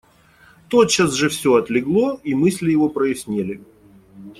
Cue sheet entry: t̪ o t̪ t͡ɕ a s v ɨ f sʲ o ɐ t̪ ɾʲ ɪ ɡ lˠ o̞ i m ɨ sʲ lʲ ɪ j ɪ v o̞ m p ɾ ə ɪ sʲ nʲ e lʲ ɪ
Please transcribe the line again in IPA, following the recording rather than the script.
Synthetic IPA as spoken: t̪ o t̪ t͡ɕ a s ʐ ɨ f sʲ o ɐ t̪ lʲ ɪ ɡ lˠ o̞ i m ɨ sʲ lʲ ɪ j ɪ v o̞ p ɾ ə ɪ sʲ nʲ e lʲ ɪ